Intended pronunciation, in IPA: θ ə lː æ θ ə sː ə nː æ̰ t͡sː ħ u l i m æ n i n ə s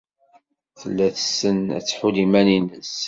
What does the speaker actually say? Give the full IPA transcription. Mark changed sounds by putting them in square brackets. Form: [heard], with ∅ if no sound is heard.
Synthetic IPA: θ ə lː æ θ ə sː ə [n] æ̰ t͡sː ħ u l i m æ n i n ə s